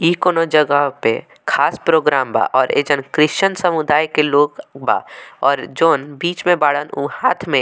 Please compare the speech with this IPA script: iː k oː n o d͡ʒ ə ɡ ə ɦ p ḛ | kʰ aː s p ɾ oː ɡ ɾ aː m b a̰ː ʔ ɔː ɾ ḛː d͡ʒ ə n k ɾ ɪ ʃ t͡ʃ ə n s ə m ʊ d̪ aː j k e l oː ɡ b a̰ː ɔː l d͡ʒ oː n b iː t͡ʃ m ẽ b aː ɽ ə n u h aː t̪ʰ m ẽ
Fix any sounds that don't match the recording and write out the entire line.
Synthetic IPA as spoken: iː k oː n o d͡ʒ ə ɡ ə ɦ p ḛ | kʰ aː s p ɾ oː ɡ ɾ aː m b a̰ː ʔ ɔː ɾ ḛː d͡ʒ ə n k ɾ ɪ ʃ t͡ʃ ə n s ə m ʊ d̪ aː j k e l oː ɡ b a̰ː ɔː ɾ d͡ʒ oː n b iː t͡ʃ m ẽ b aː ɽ ə n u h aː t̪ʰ m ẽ